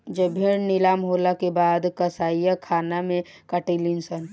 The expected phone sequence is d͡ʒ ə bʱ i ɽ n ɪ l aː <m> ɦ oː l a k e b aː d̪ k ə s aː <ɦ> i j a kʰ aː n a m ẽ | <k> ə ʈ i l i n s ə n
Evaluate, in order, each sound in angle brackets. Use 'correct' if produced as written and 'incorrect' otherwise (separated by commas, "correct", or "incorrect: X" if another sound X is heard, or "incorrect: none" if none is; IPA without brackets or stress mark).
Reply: correct, incorrect: none, correct